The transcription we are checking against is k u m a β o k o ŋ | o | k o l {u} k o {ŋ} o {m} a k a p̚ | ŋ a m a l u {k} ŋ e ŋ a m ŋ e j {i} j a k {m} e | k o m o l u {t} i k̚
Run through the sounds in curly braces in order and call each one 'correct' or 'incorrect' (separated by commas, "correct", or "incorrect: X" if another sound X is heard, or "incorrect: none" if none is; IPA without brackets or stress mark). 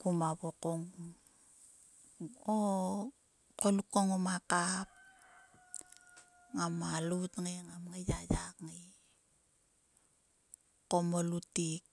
correct, correct, correct, incorrect: t, incorrect: a, incorrect: ŋ, correct